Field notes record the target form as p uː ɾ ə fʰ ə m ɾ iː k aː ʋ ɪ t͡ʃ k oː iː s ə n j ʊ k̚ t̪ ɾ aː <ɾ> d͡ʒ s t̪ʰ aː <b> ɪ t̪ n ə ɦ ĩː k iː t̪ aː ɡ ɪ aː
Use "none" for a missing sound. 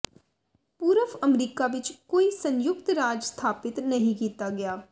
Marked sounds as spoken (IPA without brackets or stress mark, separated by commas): none, p